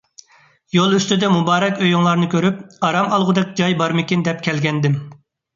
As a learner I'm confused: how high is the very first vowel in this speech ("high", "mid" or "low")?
mid